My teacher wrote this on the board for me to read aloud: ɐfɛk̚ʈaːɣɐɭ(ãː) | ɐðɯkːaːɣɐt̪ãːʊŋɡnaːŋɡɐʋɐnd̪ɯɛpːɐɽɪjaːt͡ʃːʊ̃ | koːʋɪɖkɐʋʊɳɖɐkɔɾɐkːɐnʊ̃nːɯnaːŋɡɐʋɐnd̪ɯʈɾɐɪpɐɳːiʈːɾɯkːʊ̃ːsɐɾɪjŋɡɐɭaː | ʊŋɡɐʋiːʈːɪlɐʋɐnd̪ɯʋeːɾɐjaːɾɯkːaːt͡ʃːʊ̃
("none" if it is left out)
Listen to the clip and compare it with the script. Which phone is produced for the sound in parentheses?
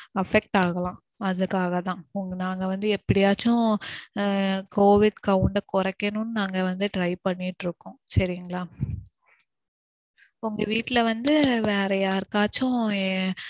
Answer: ãː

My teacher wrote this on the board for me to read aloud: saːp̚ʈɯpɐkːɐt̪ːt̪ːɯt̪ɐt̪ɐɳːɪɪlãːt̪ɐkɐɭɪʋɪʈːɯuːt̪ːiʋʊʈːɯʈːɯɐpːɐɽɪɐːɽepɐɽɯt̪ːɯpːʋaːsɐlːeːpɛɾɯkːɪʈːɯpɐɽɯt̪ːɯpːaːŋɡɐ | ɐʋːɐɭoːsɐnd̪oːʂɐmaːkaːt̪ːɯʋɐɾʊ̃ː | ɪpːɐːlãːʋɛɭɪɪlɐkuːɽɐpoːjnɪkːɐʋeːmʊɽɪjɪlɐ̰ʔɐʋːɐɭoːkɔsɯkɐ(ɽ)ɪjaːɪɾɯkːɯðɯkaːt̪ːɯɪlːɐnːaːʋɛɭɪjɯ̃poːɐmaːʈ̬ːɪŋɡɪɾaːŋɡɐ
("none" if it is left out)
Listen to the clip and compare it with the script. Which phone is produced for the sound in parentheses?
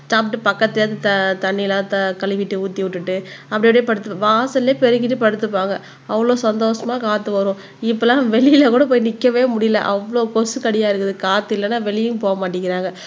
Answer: ɽ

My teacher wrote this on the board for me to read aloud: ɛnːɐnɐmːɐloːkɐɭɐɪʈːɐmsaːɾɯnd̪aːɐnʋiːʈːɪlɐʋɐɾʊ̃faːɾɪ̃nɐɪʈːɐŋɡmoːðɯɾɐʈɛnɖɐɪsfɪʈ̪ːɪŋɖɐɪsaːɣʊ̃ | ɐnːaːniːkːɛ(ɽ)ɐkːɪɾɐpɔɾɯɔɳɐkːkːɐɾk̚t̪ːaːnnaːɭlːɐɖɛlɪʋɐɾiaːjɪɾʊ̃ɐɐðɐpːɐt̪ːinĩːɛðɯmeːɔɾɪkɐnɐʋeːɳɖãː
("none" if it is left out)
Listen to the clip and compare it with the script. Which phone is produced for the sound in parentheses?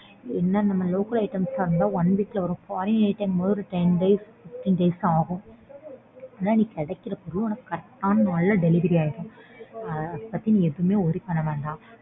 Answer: ɽ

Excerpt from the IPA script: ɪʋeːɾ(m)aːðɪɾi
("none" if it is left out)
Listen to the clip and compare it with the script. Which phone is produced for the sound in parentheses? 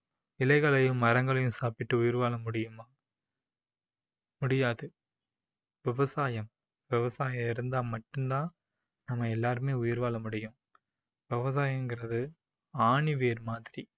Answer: m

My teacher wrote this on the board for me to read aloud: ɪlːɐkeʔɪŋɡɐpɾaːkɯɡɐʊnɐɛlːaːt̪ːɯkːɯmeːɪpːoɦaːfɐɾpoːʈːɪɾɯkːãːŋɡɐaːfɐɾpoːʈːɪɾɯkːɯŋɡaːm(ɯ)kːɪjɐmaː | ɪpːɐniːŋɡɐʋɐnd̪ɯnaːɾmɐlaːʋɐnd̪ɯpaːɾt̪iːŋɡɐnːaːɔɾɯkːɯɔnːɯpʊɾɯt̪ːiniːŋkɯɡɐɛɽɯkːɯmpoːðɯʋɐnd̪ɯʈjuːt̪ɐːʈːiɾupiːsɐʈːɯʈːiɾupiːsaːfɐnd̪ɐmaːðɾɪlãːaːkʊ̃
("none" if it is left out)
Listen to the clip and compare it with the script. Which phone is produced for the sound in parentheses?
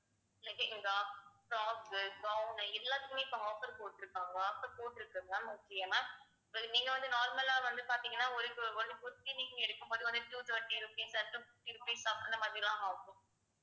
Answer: ʊ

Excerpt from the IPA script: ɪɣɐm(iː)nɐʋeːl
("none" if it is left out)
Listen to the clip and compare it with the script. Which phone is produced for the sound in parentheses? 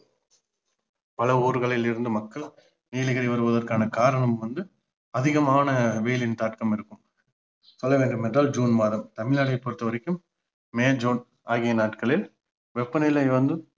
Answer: aː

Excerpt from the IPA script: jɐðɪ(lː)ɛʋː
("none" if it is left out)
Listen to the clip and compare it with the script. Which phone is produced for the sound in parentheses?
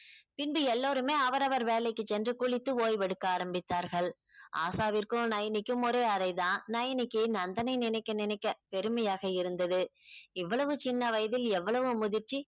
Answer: l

